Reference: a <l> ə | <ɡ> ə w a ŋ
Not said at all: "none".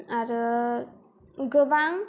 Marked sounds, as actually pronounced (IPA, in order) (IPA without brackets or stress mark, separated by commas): ɾ, ɡ